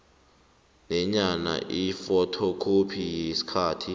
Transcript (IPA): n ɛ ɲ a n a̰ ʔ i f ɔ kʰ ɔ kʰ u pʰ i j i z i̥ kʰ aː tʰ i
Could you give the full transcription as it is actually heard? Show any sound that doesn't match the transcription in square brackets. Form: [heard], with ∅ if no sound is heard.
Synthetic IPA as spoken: n ɛ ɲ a n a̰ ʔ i f ɔ [tʰ] ɔ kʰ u pʰ i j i [s] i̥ kʰ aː tʰ i